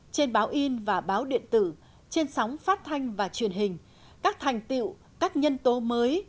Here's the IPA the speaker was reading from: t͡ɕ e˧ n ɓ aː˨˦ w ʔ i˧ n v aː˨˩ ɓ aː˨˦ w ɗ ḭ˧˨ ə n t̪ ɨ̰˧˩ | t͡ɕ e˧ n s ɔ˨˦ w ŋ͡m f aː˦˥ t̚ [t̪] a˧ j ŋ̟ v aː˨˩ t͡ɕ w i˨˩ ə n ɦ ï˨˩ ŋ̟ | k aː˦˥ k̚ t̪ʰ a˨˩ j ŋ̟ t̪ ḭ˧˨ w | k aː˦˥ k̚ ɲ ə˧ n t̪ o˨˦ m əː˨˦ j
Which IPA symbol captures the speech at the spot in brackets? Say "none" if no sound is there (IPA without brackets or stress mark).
t̪ʰ